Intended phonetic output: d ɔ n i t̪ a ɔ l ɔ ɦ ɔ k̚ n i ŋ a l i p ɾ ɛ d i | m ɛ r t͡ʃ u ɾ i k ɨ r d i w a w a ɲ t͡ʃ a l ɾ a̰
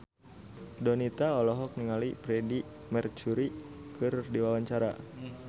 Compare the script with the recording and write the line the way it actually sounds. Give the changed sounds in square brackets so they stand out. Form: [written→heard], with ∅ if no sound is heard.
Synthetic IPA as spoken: d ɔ n i t̪ a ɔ l ɔ ɦ ɔ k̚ n i ŋ a l i p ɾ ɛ d i | m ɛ r t͡ʃ u ɾ i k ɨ r d i w a w a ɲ t͡ʃ a [l→∅] ɾ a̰